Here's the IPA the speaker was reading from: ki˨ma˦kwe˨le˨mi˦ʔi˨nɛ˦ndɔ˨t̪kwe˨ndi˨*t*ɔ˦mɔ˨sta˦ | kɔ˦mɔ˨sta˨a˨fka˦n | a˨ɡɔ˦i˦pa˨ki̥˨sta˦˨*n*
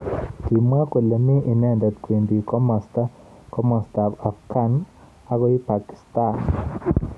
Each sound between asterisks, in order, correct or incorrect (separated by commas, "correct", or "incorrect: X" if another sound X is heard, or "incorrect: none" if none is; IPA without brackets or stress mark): incorrect: k, correct